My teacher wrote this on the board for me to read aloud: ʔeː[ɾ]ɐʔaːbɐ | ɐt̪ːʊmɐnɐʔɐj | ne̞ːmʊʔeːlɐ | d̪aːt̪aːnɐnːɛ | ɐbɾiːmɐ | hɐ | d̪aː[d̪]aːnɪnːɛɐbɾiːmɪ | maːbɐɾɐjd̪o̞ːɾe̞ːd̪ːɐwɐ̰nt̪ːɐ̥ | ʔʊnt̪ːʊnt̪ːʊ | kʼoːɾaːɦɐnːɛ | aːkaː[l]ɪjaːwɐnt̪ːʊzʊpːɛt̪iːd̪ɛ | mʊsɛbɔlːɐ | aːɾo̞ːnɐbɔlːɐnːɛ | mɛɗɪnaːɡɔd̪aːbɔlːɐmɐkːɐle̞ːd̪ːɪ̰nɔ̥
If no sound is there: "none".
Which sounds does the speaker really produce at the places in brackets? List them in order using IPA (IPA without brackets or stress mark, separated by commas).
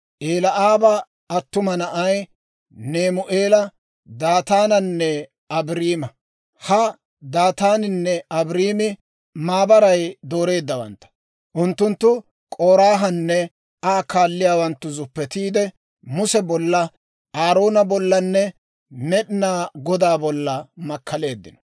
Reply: l, t̪, lː